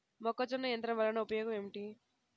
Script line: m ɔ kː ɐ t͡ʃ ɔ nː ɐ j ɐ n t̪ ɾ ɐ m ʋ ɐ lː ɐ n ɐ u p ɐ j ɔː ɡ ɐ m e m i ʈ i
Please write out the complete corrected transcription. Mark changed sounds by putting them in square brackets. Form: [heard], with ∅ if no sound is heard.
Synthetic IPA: m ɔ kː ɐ t͡ʃ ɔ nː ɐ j ɐ n t̪ ɾ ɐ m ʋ ɐ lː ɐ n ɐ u p ɐ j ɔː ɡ ɐ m e m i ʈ i